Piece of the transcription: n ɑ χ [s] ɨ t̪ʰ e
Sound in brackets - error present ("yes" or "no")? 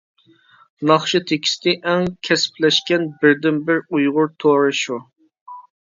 yes